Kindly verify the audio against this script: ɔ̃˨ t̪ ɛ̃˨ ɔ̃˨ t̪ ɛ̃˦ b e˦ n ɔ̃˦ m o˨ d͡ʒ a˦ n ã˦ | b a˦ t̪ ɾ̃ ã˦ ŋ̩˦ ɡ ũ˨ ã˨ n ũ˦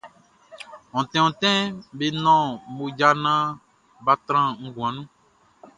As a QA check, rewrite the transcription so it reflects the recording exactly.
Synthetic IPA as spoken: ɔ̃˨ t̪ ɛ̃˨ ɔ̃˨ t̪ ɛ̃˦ b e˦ n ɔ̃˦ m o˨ d͡ʒ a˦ n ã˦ | b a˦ t̪ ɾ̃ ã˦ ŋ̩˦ ɡ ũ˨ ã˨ n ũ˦